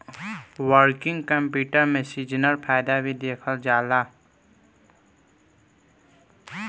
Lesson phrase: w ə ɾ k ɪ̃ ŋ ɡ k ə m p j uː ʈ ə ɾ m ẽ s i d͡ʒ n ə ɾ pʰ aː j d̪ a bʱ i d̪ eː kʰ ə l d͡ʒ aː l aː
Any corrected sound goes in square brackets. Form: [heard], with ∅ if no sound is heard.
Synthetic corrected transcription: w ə ɾ k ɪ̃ ŋ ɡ k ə m p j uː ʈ ə ɾ m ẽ s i d͡ʒ n ə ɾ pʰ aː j d̪ a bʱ i d̪ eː kʰ ə l d͡ʒ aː l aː